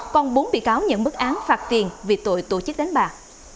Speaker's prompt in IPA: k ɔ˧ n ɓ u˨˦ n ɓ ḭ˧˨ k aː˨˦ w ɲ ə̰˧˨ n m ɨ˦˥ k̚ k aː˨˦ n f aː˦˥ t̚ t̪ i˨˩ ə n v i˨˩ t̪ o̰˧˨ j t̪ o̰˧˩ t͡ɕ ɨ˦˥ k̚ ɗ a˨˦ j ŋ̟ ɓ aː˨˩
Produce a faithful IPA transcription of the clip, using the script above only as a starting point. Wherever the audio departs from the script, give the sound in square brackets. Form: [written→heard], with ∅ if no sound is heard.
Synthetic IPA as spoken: k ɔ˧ n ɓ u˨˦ n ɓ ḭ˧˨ k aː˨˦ w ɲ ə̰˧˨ n m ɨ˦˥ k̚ [k→ʔ] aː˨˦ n f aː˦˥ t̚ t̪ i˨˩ ə n v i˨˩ t̪ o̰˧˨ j t̪ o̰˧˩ t͡ɕ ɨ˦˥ k̚ ɗ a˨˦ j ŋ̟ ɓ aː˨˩